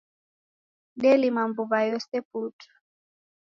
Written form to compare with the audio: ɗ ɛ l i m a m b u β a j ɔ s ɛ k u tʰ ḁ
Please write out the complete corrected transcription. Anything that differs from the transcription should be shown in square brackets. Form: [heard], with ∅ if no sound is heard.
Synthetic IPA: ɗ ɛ l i m a m b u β a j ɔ s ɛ [p] u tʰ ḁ